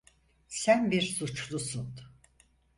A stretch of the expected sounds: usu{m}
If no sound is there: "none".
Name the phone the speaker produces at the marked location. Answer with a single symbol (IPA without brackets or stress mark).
n